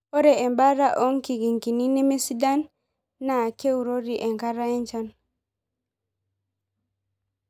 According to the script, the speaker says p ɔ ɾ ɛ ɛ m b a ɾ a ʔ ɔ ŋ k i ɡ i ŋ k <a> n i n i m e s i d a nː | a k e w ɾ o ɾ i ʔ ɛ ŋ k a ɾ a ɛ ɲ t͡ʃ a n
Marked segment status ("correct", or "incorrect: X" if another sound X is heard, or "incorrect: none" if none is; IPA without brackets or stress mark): incorrect: i